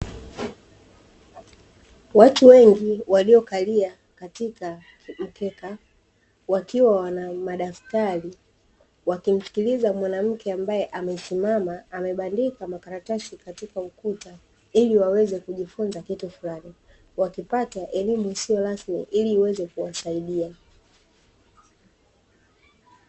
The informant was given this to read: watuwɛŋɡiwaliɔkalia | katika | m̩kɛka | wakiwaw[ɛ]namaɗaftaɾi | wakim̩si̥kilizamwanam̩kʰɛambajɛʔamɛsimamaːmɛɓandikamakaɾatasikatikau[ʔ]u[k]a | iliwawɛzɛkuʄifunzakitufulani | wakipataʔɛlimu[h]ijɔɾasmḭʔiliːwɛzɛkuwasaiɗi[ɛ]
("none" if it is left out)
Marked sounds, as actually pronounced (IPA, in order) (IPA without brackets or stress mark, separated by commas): a, k, t, s, a